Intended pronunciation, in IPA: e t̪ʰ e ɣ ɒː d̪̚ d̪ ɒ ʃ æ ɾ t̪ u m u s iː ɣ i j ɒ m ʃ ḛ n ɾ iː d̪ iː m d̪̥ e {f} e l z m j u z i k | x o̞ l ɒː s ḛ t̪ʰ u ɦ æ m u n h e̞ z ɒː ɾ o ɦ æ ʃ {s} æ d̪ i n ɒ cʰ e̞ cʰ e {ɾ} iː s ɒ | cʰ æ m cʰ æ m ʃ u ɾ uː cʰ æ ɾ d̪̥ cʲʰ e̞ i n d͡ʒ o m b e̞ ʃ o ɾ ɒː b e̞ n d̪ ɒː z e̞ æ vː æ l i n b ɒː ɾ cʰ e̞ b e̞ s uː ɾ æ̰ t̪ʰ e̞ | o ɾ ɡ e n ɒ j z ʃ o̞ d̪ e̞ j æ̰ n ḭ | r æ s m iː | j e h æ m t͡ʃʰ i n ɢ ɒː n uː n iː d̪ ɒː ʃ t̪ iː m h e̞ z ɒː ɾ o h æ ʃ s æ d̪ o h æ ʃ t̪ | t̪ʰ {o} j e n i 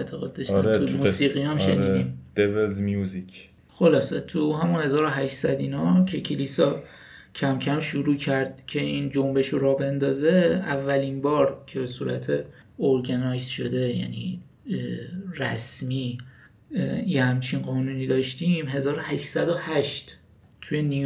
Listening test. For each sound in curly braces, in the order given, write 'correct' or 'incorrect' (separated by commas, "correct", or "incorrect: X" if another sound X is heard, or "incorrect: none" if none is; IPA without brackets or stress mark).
incorrect: v, correct, incorrect: l, incorrect: u